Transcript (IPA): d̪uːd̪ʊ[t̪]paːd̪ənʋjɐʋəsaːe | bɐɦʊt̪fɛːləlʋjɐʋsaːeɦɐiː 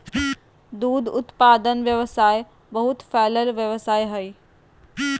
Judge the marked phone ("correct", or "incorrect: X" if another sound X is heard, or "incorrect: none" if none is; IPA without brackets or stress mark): correct